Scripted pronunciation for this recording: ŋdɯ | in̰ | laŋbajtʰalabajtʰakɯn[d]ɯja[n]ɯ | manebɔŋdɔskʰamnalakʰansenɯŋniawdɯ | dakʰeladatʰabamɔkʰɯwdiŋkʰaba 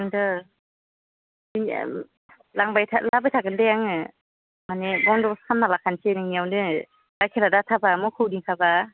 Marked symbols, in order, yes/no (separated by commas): yes, no